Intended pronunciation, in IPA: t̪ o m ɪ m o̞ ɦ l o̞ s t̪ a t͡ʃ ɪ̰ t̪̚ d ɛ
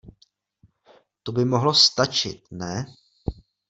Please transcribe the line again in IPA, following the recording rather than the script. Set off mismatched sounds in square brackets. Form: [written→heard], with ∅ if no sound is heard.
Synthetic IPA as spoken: t̪ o [m→b] ɪ m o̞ ɦ l o̞ s t̪ a t͡ʃ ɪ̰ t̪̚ [d→n] ɛ

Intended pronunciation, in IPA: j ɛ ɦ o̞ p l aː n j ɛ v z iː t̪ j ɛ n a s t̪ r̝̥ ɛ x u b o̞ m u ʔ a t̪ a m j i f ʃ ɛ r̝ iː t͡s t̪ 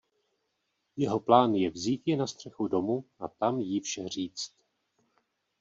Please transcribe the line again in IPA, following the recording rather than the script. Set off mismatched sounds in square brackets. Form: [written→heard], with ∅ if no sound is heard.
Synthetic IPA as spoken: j ɛ ɦ o̞ p l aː n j ɛ v z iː t̪ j ɛ n a s t̪ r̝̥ ɛ x u [b→d] o̞ m u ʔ a t̪ a m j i f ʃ ɛ r̝ iː t͡s t̪

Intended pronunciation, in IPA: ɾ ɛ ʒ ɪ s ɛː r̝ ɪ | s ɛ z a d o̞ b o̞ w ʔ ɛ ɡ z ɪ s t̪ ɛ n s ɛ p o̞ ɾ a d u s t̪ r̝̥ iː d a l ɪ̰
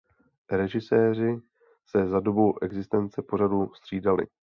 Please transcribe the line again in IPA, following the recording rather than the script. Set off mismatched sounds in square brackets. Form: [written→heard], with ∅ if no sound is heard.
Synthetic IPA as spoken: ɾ ɛ ʒ ɪ s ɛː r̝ ɪ | s ɛ z a d o̞ b o̞ w ʔ ɛ ɡ z ɪ s t̪ ɛ n [s→t͡s] ɛ p o̞ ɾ a d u s t̪ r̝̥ iː d a l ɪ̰

